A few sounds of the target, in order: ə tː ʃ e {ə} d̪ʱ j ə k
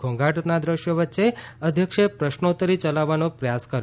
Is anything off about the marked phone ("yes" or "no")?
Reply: no